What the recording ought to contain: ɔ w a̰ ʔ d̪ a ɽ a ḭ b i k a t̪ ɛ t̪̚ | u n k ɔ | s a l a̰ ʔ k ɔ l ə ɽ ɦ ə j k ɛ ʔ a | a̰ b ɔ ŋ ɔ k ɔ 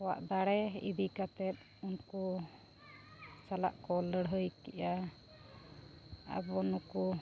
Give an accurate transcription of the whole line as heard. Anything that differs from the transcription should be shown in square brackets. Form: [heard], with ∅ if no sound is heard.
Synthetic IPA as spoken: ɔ w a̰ ʔ d̪ a ɽ [ɛ] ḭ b i k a t̪ ɛ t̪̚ | u n k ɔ | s a l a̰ ʔ k ɔ l ə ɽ ɦ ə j k ɛ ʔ a | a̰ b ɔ [n] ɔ k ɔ

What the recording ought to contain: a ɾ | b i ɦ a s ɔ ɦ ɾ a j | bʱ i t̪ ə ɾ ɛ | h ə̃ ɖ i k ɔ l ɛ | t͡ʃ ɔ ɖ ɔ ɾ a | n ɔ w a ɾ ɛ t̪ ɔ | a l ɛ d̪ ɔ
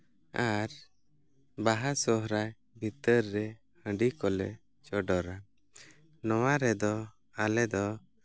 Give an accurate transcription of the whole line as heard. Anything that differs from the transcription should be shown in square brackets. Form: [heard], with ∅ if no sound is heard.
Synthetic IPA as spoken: a ɾ | b [a] ɦ a s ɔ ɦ ɾ a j | bʱ i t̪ ə [ɾː] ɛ | h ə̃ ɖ i k ɔ l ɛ | t͡ʃ ɔ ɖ ɔ ɾ a | n ɔ w a ɾ ɛ [d̪] ɔ | a l ɛ d̪ ɔ

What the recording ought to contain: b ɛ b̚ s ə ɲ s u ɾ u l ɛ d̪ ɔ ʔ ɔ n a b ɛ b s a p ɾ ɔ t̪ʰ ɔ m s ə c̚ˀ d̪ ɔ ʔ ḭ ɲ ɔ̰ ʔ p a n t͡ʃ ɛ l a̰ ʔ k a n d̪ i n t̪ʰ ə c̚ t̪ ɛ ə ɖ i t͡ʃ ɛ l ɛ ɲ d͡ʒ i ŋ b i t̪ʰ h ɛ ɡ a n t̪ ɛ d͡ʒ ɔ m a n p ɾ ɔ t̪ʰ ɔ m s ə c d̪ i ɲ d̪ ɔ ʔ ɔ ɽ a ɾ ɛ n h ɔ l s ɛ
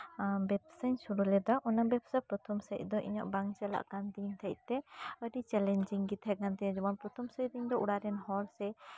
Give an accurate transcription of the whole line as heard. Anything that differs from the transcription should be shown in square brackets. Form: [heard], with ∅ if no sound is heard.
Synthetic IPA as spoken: b ɛ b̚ s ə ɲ s u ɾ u l ɛ d̪ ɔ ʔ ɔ n a b ɛ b s a p ɾ ɔ t̪ʰ ɔ m s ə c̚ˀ d̪ ɔ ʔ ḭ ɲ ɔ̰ ʔ [b] a [ŋ] t͡ʃ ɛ l a̰ ʔ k a n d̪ i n t̪ʰ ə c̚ t̪ ɛ ə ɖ i t͡ʃ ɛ l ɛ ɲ d͡ʒ i ŋ [ɡ] i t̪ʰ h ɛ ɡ a n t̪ ɛ d͡ʒ ɔ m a n p ɾ ɔ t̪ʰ ɔ m s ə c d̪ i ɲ d̪ ɔ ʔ [u] ɽ a ɾ ɛ n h ɔ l s ɛ

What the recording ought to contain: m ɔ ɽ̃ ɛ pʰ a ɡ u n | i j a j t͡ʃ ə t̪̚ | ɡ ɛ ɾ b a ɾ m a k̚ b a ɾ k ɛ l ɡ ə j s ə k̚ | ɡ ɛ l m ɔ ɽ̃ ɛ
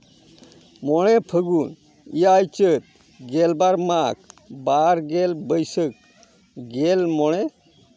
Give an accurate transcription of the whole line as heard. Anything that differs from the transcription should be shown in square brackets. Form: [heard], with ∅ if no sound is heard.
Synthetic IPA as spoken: m ɔ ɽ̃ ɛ pʰ [ə] ɡ u n | i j a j t͡ʃ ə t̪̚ | ɡ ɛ [l] b a ɾ m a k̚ b a ɾ [ɡ] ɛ l [b] ə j s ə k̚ | ɡ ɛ l m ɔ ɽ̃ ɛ

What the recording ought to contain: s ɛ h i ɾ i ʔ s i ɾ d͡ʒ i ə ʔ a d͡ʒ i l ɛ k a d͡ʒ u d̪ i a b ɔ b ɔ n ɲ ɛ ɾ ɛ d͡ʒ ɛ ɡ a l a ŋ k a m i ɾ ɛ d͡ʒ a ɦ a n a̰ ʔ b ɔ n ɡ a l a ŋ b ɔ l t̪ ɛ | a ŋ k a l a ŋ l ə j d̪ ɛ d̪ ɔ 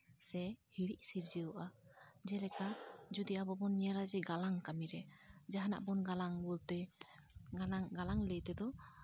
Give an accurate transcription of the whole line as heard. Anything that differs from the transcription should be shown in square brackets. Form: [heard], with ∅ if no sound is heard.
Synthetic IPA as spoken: s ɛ h i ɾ i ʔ s i ɾ d͡ʒ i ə ʔ a d͡ʒ [ɛ] l ɛ k a d͡ʒ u d̪ i a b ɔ b ɔ n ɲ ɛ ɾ [a] d͡ʒ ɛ ɡ a l a ŋ k a m i ɾ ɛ d͡ʒ a ɦ a n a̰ ʔ b ɔ n ɡ a l a ŋ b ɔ l t̪ ɛ | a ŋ [ɡ] a l a ŋ l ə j [t̪] ɛ d̪ ɔ

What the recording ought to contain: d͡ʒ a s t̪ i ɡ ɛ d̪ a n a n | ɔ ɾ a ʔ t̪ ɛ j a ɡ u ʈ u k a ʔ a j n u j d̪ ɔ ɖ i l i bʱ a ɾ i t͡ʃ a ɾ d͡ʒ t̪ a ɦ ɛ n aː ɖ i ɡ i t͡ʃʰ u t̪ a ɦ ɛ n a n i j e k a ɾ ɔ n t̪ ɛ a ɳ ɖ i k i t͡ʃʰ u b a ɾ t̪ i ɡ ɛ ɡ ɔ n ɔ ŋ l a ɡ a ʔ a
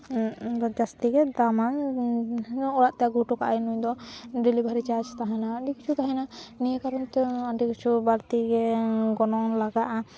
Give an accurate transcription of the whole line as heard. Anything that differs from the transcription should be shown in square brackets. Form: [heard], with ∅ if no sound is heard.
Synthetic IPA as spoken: d͡ʒ a s t̪ i ɡ ɛ d̪ a [m] a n | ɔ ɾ a ʔ t̪ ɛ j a ɡ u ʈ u k a ʔ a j n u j d̪ ɔ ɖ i l i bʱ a ɾ i t͡ʃ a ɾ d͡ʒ t̪ a ɦ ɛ n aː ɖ i [k] i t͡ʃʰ u t̪ a ɦ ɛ n a n i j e k a ɾ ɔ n t̪ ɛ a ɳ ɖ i k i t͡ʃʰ u b a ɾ t̪ i ɡ ɛ ɡ ɔ n ɔ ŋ l a ɡ a ʔ a

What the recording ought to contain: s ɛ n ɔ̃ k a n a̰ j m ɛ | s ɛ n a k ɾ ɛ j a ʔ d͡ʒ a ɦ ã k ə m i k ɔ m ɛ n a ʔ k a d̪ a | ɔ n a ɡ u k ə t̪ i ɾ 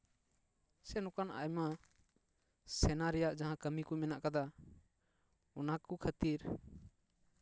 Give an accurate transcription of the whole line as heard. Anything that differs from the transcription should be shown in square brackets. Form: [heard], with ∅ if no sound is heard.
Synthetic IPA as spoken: s ɛ n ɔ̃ k a n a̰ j m [a] | s ɛ n a [∅] ɾ ɛ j a ʔ d͡ʒ a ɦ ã k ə m i k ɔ m ɛ n a ʔ k a d̪ a | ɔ n a [k] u [kʰ] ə t̪ i ɾ

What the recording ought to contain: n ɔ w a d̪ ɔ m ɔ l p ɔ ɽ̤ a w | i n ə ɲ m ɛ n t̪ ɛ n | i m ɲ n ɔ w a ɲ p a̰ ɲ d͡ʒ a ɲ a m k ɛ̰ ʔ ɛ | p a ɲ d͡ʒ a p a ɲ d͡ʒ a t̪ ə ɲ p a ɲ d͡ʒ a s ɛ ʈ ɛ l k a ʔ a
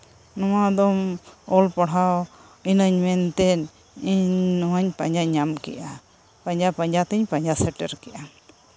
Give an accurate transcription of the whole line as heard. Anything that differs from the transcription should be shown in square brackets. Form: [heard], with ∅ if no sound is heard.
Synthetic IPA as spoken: n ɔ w a d̪ ɔ m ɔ l p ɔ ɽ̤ a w | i n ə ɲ m ɛ n t̪ ɛ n | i [ɲ] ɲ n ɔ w a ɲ p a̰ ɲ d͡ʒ a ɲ a m k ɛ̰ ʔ [a] | p a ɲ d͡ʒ a p a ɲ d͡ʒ a t̪ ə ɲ p a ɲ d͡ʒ a s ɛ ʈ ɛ [ɾ] k [ɛ] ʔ a

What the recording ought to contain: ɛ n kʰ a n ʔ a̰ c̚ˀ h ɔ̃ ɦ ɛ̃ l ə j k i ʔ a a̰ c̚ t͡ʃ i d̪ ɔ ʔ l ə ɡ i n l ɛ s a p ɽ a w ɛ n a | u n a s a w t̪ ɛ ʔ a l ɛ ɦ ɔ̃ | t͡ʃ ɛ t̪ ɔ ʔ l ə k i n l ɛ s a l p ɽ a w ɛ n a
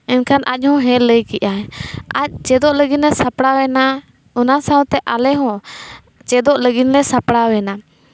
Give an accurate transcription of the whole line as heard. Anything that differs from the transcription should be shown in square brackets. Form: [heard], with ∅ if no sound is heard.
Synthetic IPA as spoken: ɛ n kʰ a n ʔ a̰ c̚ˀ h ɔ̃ ɦ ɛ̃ l ə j k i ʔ a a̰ c̚ t͡ʃ [ɛ] d̪ ɔ ʔ l ə ɡ i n l ɛ s a p ɽ a w ɛ n a | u n a s a w t̪ ɛ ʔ a l ɛ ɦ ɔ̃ | t͡ʃ ɛ [d̪] ɔ ʔ l ə [ɡ] i n l ɛ s a [∅] p ɽ a w ɛ n a

